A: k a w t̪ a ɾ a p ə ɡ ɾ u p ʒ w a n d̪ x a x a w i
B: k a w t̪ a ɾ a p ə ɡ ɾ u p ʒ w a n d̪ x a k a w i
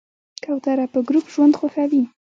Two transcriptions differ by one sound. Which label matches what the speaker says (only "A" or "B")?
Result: A